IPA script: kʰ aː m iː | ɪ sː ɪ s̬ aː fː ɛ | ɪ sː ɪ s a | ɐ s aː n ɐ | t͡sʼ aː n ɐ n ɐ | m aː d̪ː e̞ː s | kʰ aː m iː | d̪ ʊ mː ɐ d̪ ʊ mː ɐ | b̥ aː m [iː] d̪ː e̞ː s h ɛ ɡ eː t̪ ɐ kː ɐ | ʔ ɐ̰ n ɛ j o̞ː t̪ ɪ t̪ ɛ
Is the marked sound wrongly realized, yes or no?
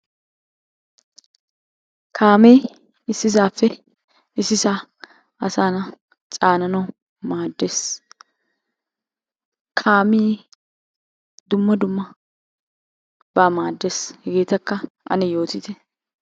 yes